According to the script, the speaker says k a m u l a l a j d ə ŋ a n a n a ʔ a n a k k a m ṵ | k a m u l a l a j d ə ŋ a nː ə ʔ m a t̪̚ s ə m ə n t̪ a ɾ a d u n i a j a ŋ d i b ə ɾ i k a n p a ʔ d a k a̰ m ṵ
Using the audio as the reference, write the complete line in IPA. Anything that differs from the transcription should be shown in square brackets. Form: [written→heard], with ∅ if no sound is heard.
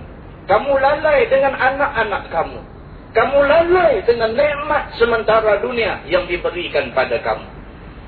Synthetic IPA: k a m u l a l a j d ə ŋ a n a n a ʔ a n a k k a m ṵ | k a m u l a l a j d ə ŋ a nː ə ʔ m a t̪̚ s ə m ə n t̪ a ɾ a d u n i a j a ŋ d i b ə ɾ i k a n p a [ʔ→∅] d a k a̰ m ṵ